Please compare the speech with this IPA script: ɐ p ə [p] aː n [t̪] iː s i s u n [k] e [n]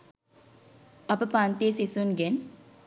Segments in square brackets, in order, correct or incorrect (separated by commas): correct, correct, incorrect, correct